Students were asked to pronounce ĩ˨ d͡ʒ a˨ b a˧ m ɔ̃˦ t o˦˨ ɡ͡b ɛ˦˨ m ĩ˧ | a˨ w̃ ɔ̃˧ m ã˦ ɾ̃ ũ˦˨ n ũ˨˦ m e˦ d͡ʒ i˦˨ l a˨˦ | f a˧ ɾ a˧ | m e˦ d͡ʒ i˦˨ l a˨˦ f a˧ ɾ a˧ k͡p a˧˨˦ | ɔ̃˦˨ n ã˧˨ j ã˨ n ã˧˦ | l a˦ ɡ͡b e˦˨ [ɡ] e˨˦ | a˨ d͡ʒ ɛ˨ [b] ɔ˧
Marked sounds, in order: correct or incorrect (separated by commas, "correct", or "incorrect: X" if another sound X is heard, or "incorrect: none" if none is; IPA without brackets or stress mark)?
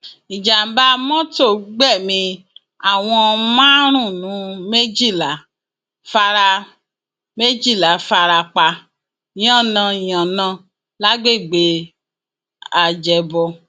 incorrect: ɡ͡b, correct